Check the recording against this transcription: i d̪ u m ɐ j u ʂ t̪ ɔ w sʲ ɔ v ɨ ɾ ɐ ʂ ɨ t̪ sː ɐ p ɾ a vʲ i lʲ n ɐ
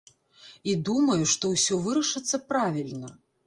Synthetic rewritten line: i d̪ u m ɐ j u ʂ t̪ ɔ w sʲ ɔ v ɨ ɾ ɐ ʂ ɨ t̪ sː ɐ p ɾ a vʲ i lʲ n ɐ